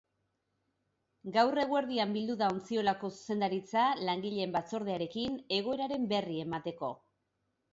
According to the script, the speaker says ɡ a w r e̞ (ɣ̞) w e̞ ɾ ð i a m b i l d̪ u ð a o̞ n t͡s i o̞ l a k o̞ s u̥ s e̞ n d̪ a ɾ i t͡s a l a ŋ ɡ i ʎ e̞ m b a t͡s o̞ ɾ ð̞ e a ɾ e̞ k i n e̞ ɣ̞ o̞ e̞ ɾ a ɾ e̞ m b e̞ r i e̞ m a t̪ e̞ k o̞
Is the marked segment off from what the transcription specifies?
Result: no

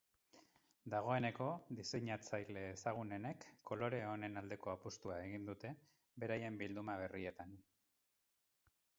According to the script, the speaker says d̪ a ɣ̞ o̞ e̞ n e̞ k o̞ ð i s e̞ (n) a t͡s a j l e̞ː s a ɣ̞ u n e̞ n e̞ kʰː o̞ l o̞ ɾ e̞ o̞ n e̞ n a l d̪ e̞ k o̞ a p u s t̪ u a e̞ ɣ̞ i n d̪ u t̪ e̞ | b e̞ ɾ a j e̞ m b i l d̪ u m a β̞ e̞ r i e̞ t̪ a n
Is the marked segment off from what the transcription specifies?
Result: yes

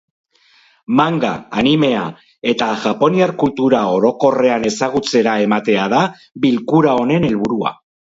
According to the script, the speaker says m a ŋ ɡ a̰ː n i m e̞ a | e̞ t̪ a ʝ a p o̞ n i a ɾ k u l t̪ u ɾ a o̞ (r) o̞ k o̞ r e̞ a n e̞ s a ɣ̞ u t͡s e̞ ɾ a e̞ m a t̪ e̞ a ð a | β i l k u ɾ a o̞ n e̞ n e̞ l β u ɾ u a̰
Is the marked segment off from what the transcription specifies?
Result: yes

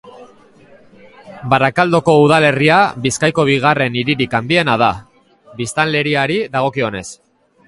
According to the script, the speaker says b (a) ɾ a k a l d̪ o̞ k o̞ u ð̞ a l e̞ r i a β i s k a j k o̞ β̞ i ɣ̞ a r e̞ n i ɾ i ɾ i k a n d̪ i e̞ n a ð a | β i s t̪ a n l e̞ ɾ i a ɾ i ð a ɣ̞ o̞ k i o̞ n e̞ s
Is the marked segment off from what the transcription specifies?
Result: no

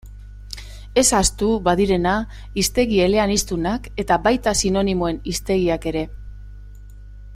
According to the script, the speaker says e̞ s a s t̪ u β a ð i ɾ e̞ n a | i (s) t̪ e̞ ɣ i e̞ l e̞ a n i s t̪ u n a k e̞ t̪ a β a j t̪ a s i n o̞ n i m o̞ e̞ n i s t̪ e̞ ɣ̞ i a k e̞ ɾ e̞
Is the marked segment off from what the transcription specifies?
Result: no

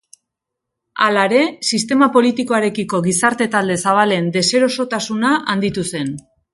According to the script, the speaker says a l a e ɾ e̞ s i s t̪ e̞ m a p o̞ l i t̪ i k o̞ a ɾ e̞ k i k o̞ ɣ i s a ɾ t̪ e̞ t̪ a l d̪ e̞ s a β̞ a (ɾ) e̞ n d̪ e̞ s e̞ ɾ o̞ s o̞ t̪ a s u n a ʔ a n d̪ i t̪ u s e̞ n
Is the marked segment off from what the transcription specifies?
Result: yes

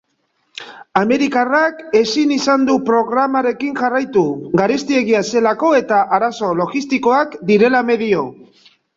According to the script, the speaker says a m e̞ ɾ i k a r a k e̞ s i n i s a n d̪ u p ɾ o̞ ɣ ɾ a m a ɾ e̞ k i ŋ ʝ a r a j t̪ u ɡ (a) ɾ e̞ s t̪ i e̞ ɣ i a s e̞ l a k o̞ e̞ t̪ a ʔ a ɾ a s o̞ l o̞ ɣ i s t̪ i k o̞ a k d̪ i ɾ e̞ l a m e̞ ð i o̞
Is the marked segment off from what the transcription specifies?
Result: no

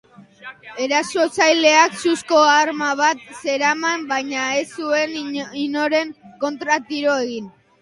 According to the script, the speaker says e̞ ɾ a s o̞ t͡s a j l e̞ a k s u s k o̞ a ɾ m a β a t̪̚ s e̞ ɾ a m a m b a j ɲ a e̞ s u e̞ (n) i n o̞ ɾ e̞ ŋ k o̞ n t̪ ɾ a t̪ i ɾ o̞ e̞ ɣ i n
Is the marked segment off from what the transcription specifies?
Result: no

